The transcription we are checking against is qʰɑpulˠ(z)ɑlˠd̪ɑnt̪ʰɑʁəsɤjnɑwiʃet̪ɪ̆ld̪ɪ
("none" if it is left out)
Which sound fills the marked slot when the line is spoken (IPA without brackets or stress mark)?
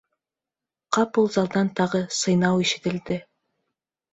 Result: z